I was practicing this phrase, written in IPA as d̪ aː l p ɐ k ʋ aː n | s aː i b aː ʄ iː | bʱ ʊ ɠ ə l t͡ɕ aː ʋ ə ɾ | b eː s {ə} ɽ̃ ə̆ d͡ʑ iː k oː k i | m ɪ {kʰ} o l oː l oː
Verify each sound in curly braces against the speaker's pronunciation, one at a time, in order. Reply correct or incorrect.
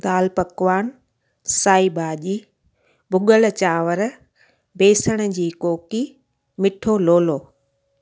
correct, incorrect

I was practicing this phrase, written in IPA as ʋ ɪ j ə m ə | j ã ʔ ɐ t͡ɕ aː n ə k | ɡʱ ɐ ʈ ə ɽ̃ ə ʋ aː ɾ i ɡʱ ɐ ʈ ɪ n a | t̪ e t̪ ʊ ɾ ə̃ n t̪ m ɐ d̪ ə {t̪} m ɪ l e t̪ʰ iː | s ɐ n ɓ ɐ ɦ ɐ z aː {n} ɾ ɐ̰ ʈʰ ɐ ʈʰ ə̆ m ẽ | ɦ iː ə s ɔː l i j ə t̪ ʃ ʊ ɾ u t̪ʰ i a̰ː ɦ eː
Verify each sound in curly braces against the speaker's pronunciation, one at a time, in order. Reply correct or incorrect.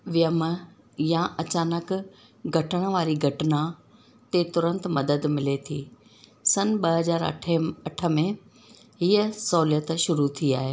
incorrect, incorrect

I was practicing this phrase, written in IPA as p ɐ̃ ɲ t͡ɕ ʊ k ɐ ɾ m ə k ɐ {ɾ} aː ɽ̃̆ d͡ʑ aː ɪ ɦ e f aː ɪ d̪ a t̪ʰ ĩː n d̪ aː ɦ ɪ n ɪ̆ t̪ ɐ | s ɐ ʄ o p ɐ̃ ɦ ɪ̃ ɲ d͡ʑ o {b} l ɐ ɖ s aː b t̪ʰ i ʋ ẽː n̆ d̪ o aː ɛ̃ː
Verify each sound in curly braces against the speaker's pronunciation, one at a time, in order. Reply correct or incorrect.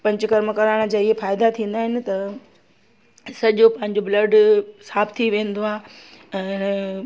correct, correct

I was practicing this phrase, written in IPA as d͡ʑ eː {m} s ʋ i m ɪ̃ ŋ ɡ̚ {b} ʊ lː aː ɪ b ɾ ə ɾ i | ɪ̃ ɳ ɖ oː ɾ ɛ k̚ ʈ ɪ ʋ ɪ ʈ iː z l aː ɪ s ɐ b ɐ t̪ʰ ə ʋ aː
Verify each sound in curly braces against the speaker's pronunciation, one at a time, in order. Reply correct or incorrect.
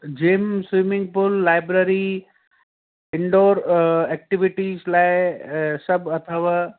correct, incorrect

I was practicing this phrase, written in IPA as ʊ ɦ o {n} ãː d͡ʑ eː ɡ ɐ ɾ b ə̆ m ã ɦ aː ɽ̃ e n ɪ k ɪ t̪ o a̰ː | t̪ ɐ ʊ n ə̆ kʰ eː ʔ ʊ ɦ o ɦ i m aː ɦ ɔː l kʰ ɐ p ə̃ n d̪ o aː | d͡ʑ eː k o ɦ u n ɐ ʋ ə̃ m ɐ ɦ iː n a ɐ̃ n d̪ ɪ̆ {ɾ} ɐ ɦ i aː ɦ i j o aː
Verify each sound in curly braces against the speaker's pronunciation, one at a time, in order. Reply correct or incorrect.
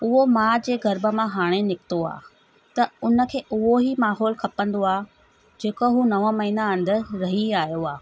incorrect, correct

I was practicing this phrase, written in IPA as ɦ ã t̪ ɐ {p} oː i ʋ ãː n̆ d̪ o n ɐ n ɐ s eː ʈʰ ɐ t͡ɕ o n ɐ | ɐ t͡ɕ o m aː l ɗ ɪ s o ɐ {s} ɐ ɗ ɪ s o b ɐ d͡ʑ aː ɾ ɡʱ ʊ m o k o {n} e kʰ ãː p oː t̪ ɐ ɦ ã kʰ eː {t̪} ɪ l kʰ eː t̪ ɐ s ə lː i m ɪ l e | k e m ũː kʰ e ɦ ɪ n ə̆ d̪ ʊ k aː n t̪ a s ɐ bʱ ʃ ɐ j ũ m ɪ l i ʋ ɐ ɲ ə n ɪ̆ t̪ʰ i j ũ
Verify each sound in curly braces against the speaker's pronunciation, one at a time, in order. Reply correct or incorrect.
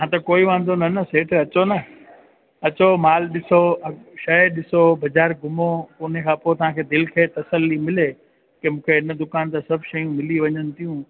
incorrect, incorrect, correct, incorrect

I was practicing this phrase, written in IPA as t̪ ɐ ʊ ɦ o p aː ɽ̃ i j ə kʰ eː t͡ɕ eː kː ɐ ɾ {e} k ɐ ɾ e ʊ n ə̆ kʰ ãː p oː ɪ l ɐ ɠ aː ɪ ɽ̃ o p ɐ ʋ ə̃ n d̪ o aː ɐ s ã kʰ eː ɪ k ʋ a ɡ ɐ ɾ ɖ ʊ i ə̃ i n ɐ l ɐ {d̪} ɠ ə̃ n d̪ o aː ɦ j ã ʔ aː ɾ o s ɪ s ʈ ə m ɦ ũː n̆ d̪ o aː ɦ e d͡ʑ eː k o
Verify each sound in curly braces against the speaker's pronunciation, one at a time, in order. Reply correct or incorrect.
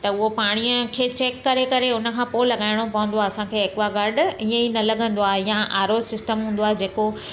correct, incorrect

